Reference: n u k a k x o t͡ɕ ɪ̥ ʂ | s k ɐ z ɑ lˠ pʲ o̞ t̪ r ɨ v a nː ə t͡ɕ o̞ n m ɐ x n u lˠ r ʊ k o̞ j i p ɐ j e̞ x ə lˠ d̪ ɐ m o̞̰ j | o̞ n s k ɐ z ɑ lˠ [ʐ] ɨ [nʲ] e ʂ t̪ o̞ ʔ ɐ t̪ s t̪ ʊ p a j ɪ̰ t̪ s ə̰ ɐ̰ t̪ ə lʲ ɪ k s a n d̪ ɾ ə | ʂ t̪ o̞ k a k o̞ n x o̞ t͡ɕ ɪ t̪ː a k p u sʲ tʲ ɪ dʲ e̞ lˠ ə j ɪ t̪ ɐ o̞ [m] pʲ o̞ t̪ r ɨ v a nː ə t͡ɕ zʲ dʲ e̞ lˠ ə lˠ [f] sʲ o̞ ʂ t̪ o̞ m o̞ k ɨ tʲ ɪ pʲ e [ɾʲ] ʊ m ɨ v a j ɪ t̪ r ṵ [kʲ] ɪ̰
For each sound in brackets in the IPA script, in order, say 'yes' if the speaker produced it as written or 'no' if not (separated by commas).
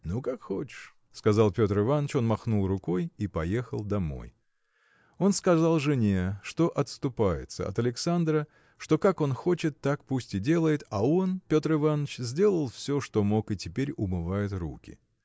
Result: yes, yes, no, yes, yes, yes